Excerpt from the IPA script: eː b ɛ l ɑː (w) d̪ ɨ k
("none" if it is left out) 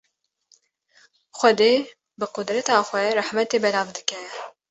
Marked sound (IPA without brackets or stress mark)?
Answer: v